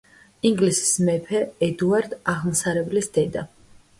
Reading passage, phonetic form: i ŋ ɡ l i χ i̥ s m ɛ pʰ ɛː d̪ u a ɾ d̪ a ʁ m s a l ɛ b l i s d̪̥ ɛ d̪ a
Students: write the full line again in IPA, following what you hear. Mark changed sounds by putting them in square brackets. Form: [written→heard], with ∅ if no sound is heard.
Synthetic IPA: i ŋ ɡ l i [χ→s] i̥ s m ɛ pʰ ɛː d̪ u a ɾ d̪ a ʁ m s a [l→ɾ] ɛ b l i s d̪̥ ɛ d̪ a

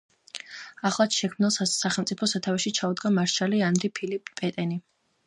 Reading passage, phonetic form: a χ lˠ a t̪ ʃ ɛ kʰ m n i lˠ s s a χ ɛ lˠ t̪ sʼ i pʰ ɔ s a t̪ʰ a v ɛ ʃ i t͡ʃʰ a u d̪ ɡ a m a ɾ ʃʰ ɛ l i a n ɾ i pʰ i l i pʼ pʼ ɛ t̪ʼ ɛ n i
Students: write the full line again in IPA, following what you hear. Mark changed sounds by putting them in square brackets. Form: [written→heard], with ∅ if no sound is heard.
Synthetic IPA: a χ lˠ a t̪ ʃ ɛ kʰ m n i lˠ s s a χ ɛ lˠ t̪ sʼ i pʰ ɔ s a t̪ʰ a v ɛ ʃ i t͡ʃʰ a u d̪ ɡ a m a ɾ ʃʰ [ɛ→a] l i a n ɾ i pʰ i l i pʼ pʼ ɛ t̪ʼ ɛ n i

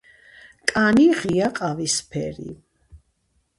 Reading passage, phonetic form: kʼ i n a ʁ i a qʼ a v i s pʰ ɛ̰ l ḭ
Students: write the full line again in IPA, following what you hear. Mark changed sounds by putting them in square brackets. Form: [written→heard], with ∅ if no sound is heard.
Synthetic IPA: kʼ [i→a] n [a→i] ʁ i a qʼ a v i s pʰ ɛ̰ [l→ɾ] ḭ

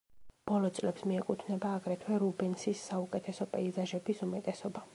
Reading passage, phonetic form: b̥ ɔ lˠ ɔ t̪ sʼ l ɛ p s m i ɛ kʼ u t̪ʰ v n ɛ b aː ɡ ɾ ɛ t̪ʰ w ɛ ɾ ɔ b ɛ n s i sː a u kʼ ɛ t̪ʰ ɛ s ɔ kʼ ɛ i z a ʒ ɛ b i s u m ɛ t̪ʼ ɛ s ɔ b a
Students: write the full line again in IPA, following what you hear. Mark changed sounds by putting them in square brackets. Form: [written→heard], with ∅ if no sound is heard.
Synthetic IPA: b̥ ɔ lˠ ɔ t̪ sʼ l ɛ p s m i ɛ kʼ u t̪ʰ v n ɛ b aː ɡ ɾ ɛ t̪ʰ w ɛ ɾ [ɔ→u] b ɛ n s i sː a u kʼ ɛ t̪ʰ ɛ s ɔ [kʼ→pʼ] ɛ i z a ʒ ɛ b i s u m ɛ t̪ʼ ɛ s ɔ b a

